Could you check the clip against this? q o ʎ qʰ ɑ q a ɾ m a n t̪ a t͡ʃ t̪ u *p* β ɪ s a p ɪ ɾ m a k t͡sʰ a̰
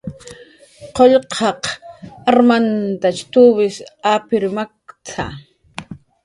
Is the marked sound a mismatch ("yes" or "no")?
yes